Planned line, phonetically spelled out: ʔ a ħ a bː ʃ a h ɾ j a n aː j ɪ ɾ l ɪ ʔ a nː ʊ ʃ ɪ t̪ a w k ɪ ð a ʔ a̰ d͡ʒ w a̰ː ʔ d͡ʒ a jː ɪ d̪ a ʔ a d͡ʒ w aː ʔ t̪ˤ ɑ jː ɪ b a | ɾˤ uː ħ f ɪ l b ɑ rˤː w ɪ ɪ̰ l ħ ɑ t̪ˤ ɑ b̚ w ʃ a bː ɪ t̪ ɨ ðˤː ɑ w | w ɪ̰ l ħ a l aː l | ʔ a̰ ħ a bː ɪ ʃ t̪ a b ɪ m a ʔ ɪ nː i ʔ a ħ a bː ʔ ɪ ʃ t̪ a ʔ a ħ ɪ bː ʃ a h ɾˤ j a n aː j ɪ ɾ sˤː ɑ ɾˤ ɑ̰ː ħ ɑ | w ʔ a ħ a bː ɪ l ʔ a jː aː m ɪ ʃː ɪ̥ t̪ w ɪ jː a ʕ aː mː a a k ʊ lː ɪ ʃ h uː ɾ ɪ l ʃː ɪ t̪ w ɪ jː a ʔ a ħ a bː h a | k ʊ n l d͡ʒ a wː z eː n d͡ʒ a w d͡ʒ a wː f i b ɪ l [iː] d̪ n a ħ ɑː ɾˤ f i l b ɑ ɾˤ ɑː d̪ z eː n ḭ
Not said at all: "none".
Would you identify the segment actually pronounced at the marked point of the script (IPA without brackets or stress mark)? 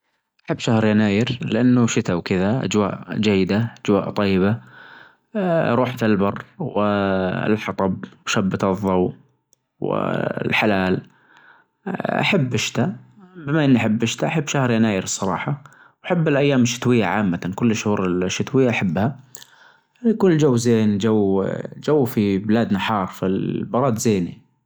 aː